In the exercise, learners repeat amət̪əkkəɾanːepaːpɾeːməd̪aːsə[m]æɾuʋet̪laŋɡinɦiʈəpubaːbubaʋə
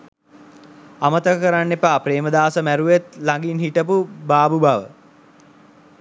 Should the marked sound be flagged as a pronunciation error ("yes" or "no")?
no